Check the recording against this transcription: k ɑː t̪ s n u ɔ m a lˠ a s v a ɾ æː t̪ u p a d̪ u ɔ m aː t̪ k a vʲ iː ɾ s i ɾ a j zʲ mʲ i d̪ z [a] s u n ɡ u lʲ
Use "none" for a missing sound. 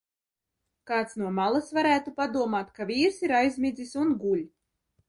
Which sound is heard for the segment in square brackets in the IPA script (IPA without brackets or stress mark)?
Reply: i